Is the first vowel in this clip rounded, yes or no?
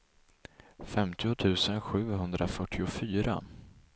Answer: no